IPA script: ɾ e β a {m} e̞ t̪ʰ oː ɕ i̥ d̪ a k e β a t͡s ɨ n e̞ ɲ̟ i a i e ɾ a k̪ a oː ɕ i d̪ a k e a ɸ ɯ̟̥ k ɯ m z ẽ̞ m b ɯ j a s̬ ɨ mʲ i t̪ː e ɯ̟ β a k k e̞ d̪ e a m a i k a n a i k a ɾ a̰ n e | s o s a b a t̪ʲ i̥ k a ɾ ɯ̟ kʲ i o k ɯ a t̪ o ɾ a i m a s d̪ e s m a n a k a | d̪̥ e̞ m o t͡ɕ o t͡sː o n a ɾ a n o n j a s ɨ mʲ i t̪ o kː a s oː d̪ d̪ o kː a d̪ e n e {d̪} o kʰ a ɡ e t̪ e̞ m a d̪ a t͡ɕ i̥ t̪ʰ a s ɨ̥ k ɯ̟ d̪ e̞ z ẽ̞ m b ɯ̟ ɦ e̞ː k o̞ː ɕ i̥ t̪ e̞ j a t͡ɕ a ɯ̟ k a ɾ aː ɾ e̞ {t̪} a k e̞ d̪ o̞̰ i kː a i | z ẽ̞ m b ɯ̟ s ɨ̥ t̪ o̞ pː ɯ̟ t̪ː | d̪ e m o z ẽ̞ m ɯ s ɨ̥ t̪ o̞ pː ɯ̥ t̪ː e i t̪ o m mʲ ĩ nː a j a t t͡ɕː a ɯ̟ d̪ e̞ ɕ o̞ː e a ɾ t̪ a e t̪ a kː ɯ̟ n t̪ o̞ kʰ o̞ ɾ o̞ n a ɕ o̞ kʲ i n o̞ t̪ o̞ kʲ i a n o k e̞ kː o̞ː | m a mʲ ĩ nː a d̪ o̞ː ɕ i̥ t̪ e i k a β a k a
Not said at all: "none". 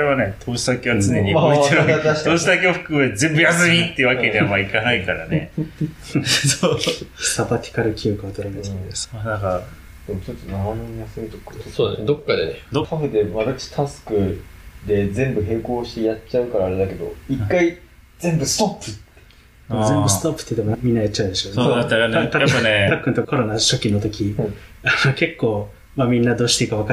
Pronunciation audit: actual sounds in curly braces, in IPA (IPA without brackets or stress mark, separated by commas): n, d̪, d̪